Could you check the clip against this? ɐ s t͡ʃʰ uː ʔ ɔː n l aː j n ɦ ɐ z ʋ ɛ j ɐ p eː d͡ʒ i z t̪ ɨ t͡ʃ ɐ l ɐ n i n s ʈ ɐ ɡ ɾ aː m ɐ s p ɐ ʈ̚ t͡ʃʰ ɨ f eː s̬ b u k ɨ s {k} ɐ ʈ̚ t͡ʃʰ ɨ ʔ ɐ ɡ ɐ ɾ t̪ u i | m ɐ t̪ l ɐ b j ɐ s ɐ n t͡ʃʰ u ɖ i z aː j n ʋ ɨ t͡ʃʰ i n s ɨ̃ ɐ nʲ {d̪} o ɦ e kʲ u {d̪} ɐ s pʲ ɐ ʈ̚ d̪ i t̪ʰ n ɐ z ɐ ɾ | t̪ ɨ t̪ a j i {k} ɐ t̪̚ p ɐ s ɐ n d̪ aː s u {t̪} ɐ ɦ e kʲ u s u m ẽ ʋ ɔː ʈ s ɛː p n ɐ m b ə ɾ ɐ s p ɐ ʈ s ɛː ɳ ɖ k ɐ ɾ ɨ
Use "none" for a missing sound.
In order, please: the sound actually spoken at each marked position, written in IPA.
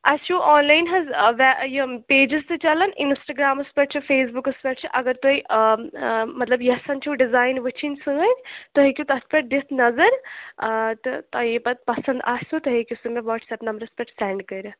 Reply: p, t̪, t̪, p, t̪

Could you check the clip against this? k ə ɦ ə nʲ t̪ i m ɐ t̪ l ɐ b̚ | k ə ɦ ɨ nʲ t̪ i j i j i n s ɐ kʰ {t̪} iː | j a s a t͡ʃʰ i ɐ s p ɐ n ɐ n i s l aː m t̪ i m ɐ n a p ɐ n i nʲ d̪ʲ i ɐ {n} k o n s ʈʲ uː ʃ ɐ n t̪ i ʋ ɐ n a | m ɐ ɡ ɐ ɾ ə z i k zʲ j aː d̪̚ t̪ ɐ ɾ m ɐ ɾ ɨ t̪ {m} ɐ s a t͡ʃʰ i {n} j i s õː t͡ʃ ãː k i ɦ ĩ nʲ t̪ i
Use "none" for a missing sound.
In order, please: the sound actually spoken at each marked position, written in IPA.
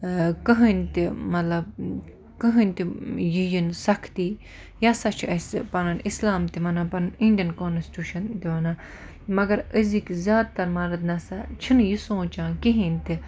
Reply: t̪, n, n, n

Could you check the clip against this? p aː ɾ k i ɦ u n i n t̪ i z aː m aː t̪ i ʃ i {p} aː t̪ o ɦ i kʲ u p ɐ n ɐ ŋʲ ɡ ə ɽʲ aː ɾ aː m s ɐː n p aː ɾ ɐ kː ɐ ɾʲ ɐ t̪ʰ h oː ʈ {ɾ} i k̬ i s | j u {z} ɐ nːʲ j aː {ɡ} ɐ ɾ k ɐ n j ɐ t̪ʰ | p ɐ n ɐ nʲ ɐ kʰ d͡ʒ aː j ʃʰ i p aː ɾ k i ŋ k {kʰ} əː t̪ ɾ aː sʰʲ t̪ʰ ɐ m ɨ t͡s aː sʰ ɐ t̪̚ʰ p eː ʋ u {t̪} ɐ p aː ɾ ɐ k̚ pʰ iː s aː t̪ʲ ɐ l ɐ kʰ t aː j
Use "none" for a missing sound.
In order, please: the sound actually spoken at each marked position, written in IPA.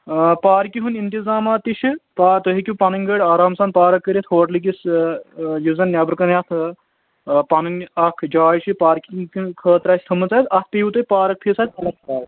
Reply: p, l, z, b, kʰ, t̪

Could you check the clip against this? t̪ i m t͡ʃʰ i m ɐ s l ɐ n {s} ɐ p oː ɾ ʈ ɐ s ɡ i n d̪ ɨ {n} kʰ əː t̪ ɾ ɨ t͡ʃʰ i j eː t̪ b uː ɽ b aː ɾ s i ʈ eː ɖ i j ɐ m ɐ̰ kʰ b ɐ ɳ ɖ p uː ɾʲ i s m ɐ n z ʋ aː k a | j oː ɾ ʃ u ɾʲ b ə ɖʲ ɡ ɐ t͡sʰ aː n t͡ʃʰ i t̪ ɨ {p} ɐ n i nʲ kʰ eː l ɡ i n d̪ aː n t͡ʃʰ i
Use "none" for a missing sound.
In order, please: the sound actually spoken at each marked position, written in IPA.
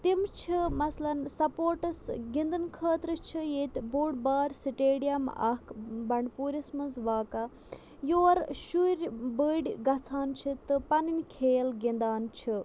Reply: s, n, p

